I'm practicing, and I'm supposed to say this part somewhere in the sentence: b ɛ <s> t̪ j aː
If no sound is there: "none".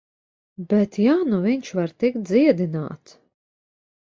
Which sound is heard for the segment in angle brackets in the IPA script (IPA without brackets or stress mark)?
none